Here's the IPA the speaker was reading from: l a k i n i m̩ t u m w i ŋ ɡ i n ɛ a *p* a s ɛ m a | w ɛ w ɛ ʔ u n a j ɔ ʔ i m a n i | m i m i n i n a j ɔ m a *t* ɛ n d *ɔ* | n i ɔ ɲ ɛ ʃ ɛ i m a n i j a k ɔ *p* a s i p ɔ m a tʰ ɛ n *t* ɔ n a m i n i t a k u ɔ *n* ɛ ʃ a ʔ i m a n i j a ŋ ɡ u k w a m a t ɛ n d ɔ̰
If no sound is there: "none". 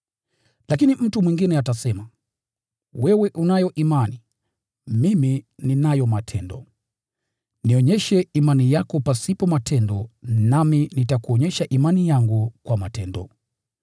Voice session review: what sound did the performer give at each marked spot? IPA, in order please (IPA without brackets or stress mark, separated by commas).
t, tʰ, ɔ, p, d, ɲ